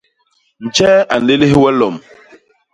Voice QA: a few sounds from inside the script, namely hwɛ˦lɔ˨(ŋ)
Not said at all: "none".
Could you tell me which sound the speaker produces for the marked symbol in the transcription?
m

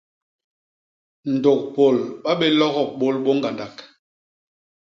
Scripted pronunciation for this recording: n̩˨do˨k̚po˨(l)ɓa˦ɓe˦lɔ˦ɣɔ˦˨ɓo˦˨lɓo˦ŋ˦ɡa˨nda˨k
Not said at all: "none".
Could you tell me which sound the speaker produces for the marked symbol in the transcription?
l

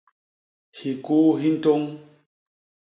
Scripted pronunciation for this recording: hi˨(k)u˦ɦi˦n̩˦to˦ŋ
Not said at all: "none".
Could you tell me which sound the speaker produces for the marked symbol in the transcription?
k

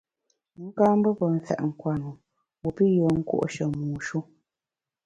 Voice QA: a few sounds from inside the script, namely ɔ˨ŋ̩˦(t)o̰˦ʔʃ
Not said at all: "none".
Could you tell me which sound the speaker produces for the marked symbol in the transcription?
k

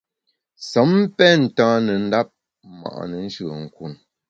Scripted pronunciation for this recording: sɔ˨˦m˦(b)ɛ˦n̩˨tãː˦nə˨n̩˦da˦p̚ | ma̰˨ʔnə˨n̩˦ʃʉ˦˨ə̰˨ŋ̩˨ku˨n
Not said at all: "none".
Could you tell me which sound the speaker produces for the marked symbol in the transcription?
p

